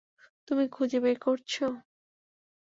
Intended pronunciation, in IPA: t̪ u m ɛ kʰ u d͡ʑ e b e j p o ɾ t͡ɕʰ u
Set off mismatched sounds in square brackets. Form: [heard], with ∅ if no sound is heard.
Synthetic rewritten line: t̪ u m [i] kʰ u d͡ʑ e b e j [k] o ɾ t͡ɕʰ [o]